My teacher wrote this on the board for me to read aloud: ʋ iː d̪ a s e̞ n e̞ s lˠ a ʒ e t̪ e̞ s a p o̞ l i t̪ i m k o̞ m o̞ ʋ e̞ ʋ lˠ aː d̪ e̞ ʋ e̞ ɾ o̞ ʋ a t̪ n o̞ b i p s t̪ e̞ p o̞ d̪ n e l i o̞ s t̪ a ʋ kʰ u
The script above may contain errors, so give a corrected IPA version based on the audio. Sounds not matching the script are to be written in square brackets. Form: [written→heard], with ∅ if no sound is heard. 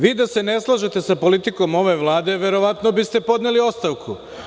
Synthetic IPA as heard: ʋ iː d̪ a s e̞ n e̞ s lˠ a ʒ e t̪ e̞ s a p o̞ l i t̪ i [m→∅] k o̞ m o̞ ʋ e̞ ʋ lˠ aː d̪ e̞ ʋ e̞ ɾ o̞ ʋ a t̪ n o̞ b i [p→∅] s t̪ e̞ p o̞ d̪ n e l i o̞ s t̪ a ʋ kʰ u